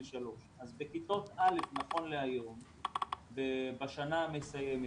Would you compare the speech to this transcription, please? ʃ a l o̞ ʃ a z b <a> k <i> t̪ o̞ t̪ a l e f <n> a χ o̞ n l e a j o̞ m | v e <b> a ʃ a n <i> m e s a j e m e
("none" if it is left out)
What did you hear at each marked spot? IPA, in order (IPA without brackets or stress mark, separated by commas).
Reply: e, i, n, b, a